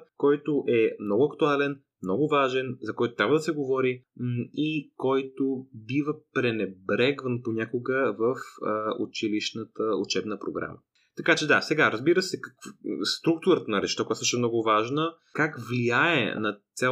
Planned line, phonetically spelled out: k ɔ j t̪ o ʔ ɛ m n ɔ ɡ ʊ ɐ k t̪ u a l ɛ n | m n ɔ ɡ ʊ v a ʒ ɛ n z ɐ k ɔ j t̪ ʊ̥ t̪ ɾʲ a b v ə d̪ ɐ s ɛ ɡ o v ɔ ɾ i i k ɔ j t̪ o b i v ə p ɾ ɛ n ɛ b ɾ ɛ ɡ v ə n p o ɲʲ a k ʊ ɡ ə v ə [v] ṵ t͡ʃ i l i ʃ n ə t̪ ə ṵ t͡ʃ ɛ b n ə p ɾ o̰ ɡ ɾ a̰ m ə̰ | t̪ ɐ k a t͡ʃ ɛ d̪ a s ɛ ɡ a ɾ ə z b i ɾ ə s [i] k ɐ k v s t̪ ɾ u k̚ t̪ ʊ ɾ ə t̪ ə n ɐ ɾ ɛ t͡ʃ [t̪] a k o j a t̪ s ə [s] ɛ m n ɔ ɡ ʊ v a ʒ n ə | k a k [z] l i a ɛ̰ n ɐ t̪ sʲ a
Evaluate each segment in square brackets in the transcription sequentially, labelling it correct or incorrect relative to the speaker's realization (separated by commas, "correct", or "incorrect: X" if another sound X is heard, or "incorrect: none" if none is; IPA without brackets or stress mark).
incorrect: f, incorrect: ɛ, correct, incorrect: ʃ, incorrect: v